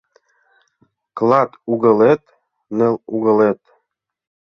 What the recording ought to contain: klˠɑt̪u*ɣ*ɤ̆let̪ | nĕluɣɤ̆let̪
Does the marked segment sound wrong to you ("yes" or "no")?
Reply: no